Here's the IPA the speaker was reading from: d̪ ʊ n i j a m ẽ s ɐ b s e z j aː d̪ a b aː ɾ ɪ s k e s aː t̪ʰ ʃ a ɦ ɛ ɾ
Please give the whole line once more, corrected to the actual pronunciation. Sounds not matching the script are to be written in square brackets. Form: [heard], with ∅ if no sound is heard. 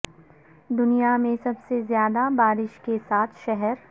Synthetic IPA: d̪ ʊ n i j a m ẽ s ɐ b s e z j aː d̪ a b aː ɾ ɪ [ʃ] k e s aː t̪ʰ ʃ [ɛ] ɦ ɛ ɾ